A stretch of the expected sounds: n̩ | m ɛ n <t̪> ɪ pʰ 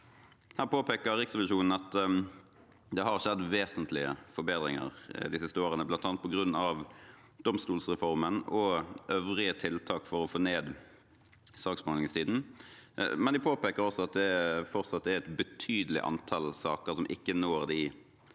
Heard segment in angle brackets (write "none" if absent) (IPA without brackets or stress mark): d̪